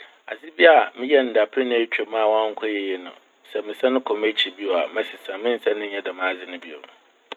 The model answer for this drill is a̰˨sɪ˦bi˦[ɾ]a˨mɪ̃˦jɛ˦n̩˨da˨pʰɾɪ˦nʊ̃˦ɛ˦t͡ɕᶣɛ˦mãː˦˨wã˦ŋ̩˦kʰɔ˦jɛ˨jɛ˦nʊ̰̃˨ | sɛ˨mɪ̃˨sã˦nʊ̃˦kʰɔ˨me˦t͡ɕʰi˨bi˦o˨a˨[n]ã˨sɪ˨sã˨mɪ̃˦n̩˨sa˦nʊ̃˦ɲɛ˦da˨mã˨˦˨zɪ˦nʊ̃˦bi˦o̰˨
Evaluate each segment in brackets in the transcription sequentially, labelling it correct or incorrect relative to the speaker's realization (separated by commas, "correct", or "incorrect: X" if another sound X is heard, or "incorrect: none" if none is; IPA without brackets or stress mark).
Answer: incorrect: none, incorrect: m